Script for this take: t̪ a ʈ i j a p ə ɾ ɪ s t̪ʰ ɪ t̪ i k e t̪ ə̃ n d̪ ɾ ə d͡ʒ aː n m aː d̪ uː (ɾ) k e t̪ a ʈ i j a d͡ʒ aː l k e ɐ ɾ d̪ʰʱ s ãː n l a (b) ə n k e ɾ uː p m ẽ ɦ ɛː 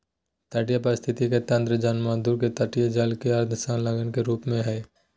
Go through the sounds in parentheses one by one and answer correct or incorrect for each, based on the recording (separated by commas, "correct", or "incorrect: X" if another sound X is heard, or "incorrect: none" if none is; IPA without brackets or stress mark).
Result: correct, incorrect: ɡ